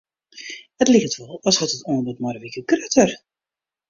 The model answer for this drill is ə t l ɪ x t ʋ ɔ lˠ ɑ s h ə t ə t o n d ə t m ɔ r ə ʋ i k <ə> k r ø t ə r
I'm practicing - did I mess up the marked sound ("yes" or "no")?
no